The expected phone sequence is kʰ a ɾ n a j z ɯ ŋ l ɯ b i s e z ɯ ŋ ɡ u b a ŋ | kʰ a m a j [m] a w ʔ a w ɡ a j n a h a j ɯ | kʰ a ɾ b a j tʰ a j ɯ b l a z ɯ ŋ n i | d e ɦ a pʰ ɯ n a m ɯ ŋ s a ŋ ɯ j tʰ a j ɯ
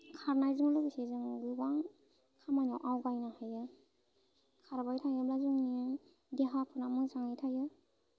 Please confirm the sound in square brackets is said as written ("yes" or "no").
no